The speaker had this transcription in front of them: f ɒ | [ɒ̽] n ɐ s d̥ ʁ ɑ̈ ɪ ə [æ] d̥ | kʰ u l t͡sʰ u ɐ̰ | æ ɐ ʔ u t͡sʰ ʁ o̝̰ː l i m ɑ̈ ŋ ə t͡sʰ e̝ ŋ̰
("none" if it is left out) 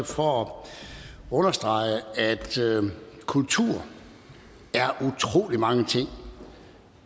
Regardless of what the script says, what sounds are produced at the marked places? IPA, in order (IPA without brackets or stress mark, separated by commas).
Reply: ɔ̽, æ